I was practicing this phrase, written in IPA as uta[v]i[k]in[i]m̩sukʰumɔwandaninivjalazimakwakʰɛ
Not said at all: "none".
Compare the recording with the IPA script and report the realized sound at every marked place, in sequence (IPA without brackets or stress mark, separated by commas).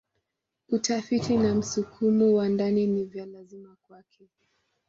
f, t, a